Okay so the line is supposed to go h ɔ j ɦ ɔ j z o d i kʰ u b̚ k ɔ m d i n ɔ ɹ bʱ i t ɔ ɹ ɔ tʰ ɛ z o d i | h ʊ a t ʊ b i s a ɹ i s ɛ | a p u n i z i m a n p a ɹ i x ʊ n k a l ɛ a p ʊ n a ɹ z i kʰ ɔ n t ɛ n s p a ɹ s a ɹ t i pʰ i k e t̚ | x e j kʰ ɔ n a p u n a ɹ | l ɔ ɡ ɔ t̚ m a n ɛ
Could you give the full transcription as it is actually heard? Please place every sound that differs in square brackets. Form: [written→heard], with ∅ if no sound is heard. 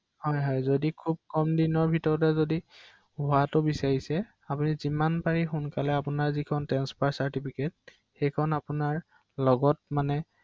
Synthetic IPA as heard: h ɔ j ɦ ɔ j z o d i kʰ u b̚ k ɔ m d i n ɔ ɹ bʱ i t ɔ ɹ ɔ [tʰ→t] ɛ z o d i | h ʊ a t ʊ b i s a ɹ i s ɛ | a p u n i z i m a n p a ɹ i x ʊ n k a l ɛ a p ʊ n a ɹ z i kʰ ɔ n t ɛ n s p a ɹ s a ɹ t i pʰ i k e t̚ | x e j kʰ ɔ n a p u n a ɹ | l ɔ ɡ ɔ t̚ m a n ɛ